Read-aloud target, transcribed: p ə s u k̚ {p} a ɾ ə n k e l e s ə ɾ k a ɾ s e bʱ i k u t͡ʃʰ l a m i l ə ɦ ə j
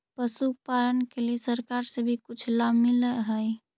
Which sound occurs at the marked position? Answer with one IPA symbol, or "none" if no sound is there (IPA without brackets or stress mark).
p